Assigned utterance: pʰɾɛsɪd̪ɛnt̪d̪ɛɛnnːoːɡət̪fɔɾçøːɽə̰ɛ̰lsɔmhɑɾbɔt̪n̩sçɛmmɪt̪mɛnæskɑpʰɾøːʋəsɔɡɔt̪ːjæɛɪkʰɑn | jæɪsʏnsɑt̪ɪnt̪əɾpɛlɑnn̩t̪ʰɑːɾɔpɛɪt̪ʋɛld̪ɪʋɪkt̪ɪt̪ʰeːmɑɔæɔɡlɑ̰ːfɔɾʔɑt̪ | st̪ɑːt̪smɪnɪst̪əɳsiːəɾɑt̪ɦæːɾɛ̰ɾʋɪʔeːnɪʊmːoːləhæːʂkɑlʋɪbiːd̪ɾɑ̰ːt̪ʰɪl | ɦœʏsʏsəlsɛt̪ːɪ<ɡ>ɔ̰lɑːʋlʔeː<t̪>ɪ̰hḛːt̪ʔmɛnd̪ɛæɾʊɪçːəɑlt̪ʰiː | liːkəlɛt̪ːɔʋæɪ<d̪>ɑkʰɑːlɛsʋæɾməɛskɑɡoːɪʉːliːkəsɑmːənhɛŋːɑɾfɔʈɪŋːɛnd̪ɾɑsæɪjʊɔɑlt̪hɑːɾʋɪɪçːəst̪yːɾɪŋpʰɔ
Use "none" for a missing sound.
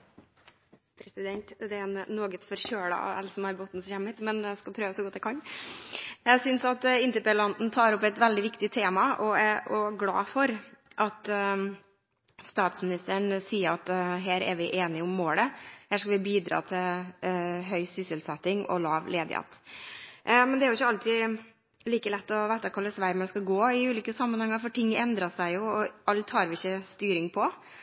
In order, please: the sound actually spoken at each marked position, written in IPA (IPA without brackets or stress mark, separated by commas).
ŋ, d̪, t̪